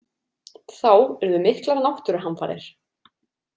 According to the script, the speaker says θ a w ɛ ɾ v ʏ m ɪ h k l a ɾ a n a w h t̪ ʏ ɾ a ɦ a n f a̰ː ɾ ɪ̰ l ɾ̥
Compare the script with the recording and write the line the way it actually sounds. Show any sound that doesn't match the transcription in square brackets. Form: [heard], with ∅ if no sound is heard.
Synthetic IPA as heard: θ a w ɛ ɾ [ð] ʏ m ɪ h k l a ɾ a n a w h t̪ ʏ ɾ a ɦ a n f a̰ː ɾ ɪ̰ [∅] ɾ̥